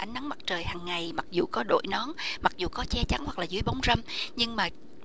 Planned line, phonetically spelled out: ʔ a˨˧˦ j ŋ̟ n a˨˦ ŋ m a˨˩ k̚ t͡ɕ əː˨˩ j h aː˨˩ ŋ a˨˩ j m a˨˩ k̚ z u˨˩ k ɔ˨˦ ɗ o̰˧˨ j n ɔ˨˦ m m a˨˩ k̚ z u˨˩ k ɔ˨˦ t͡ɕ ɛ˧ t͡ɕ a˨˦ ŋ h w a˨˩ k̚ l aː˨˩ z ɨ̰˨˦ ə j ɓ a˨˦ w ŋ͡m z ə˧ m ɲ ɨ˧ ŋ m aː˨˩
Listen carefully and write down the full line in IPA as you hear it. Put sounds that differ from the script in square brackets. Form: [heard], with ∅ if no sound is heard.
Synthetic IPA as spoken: ʔ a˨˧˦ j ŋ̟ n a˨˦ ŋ m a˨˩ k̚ t͡ɕ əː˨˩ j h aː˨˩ [ŋː] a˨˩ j m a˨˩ k̚ z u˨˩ k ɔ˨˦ ɗ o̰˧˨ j n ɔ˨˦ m m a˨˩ k̚ z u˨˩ k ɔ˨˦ t͡ɕ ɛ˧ t͡ɕ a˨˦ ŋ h w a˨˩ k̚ l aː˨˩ z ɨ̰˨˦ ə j ɓ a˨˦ w ŋ͡m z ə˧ m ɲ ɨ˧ ŋ m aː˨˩